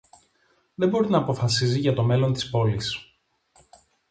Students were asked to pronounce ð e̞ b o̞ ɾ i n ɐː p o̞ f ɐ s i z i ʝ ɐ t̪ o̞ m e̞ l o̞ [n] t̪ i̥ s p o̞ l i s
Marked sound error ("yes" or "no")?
no